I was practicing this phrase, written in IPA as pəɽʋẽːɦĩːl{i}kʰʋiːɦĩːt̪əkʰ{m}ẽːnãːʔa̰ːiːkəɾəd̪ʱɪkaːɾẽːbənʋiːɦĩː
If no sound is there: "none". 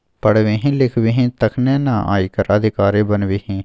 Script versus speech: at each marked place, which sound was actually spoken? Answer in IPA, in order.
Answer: ɪ, n

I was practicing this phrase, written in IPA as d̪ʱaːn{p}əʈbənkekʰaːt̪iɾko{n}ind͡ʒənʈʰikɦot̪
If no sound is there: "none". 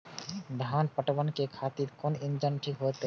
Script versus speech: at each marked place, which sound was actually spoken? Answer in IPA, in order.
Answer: p, n

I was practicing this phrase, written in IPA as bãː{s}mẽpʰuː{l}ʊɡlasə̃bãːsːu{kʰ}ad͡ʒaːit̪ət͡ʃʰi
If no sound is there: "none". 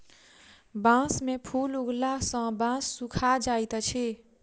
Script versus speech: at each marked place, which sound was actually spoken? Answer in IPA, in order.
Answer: s, l, kʰ

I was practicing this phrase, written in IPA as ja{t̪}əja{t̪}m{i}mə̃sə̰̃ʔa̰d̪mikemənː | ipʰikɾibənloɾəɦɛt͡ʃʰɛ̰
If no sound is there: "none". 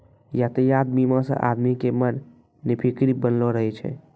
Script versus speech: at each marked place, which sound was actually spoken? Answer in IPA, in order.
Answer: t̪, d̪, i

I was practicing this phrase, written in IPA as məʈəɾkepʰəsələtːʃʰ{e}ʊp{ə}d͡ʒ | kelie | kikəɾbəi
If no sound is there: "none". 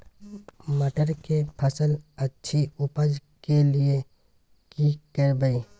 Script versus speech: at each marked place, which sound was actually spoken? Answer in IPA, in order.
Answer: i, ə

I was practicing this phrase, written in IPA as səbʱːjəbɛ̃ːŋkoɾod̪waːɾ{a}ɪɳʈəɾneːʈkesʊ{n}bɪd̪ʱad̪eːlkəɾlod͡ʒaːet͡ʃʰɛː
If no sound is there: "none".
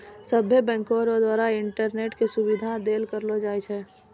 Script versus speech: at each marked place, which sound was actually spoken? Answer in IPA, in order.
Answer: a, none

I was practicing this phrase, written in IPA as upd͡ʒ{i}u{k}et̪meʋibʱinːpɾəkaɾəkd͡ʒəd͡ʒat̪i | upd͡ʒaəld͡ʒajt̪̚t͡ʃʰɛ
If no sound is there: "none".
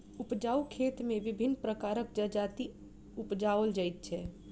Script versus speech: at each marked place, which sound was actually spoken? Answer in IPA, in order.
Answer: a, kʰ

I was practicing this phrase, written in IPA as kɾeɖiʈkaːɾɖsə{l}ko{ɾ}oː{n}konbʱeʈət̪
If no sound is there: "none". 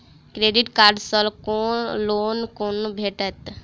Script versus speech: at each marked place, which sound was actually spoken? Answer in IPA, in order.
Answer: l, l, n

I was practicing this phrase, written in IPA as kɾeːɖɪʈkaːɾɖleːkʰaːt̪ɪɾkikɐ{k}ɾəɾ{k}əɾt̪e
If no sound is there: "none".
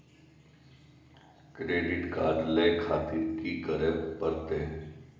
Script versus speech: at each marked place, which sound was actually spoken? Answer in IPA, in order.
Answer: none, p

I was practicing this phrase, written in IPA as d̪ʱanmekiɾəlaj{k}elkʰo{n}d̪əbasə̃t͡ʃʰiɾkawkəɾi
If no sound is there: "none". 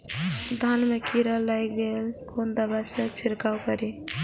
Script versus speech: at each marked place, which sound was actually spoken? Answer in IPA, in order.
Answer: ɡ, n

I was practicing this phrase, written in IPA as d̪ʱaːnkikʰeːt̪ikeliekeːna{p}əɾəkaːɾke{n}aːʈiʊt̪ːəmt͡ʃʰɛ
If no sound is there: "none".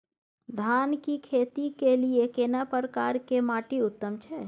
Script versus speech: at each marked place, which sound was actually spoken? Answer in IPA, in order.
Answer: p, m

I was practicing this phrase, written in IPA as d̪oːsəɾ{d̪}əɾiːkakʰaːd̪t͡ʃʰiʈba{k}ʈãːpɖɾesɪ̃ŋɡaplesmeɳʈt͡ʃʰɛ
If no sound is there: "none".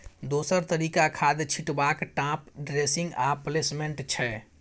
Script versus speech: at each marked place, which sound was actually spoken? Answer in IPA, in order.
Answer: t̪, k

